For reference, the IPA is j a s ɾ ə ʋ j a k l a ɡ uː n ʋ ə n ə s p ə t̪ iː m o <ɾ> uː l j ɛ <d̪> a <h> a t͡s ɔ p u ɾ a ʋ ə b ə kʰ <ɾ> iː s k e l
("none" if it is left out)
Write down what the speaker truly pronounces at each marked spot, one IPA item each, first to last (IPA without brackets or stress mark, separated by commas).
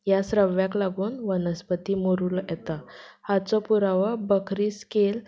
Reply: ɾ, t̪, h, ɾ